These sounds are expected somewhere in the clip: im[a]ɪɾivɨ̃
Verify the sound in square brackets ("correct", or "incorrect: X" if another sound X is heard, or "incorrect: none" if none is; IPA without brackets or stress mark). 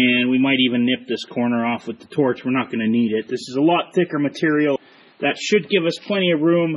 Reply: correct